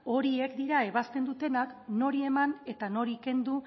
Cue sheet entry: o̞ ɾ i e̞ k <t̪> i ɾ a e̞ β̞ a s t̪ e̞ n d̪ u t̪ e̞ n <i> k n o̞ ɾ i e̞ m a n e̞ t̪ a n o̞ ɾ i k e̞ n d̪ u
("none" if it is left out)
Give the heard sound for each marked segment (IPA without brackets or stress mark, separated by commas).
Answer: d̪, a